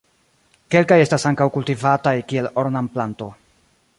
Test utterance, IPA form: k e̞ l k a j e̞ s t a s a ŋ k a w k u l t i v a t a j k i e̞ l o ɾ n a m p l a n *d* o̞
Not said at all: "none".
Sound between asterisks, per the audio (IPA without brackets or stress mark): t